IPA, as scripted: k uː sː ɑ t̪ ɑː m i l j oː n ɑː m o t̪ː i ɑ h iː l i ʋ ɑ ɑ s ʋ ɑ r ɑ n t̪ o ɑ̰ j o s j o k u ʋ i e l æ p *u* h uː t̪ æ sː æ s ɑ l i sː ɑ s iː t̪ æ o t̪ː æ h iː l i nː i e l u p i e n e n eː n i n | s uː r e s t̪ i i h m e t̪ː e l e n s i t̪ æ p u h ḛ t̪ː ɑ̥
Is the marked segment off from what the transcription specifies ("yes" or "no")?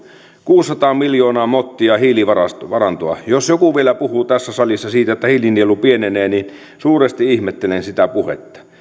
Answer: no